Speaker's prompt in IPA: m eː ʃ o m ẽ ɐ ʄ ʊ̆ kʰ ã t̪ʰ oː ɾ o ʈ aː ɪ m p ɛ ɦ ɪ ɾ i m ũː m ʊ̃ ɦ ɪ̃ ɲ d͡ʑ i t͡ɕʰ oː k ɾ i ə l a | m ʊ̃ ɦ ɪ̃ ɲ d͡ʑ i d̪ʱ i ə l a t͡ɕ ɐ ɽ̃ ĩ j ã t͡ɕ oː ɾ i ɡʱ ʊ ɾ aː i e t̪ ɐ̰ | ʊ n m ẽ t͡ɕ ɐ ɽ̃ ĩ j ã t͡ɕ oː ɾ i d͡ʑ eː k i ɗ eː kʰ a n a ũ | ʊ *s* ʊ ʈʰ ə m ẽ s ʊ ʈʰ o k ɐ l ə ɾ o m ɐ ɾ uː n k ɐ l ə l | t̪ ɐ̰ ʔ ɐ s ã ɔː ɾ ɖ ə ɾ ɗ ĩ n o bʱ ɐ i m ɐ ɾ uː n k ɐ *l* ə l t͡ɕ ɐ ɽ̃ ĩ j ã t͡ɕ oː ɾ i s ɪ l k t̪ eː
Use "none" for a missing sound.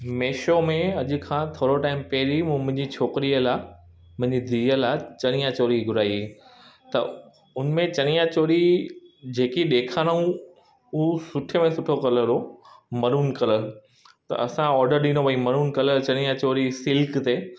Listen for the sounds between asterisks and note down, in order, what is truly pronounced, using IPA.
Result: s, l

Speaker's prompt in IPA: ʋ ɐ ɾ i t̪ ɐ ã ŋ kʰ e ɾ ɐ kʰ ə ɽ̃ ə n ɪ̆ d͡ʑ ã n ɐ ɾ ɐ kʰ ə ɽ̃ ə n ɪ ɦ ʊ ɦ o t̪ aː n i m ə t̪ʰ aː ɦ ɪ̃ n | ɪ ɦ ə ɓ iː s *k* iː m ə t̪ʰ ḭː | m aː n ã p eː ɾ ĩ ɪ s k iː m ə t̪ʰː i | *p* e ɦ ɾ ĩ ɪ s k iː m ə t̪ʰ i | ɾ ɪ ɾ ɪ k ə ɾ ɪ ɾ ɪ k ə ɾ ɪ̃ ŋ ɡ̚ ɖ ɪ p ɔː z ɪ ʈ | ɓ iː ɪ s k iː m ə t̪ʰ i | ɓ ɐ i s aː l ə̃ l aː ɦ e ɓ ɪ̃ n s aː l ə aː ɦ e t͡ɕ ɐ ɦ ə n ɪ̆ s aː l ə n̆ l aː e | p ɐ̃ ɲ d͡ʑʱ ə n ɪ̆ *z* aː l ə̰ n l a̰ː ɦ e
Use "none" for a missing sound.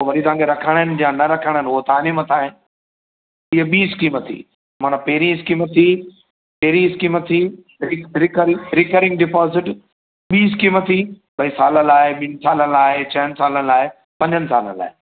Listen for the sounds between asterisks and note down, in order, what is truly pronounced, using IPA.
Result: k, p, s

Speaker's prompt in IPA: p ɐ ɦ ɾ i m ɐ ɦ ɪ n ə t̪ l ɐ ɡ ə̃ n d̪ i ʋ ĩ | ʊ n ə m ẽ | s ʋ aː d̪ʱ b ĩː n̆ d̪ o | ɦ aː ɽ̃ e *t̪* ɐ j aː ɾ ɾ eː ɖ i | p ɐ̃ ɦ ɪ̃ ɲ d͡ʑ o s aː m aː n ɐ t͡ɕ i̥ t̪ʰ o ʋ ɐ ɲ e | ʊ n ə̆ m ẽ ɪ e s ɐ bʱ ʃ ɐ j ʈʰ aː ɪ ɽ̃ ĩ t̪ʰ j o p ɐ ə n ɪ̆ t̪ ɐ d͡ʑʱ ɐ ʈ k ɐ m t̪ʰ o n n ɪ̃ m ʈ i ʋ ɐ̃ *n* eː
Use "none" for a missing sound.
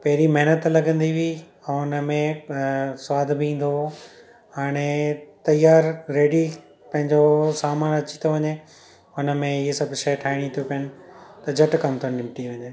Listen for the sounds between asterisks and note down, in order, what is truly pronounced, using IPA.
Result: t̪, ɲ

